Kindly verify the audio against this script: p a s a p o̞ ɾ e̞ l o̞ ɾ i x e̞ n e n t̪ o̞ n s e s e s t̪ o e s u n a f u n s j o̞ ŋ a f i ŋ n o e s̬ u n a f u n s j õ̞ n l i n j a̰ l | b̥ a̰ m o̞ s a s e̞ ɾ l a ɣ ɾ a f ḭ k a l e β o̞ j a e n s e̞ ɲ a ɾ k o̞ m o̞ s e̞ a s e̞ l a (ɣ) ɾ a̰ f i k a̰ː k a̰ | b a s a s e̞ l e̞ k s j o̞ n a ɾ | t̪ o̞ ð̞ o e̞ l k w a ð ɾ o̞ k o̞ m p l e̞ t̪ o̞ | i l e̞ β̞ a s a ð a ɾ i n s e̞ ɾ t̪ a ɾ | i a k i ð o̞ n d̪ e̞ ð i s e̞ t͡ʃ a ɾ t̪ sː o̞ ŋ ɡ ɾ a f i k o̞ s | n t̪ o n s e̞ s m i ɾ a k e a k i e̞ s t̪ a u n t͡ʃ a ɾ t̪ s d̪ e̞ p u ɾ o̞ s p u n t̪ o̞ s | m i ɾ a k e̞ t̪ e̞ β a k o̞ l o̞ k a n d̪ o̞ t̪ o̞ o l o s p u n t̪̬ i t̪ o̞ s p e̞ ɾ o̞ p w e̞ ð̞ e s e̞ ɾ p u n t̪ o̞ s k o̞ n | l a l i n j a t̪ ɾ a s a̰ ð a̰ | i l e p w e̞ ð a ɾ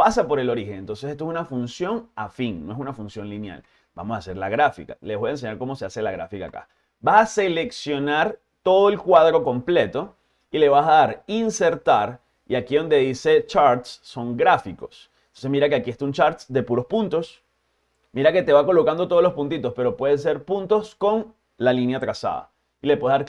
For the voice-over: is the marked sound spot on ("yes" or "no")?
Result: yes